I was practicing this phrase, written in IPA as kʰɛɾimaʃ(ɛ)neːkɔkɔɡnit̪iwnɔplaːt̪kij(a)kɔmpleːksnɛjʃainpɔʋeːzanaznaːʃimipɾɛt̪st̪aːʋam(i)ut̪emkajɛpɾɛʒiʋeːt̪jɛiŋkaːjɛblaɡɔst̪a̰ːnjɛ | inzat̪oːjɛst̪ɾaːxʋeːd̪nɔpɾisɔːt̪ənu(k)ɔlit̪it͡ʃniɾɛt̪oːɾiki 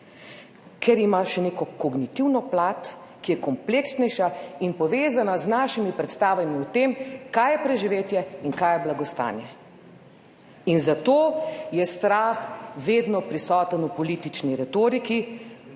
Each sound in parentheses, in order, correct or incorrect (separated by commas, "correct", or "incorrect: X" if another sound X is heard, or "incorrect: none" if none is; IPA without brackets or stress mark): correct, incorrect: ɛ, correct, incorrect: p